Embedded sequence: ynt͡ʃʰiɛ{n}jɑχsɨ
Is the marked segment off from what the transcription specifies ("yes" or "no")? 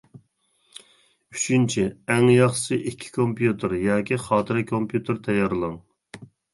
yes